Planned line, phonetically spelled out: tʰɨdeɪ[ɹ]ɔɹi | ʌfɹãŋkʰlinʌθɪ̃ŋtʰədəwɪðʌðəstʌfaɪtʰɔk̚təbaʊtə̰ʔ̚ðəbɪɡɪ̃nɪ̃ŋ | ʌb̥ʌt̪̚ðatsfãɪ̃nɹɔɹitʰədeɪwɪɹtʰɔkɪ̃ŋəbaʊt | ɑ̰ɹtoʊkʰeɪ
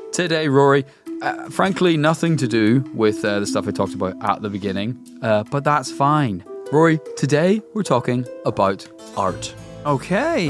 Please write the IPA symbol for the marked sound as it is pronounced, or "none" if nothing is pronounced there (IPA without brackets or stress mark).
ɹ